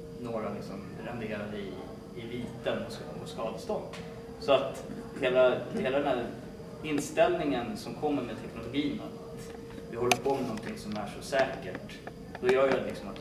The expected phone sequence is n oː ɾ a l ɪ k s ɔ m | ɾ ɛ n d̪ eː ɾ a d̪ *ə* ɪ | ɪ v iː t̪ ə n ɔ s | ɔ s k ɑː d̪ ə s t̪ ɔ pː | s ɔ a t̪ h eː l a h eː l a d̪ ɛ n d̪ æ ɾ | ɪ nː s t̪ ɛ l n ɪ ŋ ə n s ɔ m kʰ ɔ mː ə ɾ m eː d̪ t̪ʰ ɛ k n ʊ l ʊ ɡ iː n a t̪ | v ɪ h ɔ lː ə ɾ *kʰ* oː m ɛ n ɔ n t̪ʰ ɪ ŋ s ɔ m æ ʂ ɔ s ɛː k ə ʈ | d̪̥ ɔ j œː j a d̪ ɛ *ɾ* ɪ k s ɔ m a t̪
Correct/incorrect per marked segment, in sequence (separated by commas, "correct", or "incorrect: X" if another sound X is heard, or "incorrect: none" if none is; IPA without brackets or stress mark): correct, incorrect: pʰ, incorrect: l